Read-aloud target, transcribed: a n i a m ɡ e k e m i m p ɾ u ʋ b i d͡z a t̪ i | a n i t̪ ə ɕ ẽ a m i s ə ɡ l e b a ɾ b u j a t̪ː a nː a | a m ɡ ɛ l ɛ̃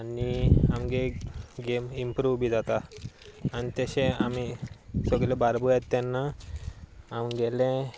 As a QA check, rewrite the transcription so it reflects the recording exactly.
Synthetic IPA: a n i a m ɡ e ɡ e m i m p ɾ u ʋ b i d͡z a t̪ a | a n i t̪ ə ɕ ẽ a m i s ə ɡ l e b a ɾ b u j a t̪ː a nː a | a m ɡ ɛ l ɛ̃